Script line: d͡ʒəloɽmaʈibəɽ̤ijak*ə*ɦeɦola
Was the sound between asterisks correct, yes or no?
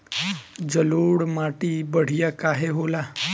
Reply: no